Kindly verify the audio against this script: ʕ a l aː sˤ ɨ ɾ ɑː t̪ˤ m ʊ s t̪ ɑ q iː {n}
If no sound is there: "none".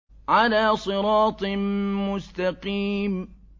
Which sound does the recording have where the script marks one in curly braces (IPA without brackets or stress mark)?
m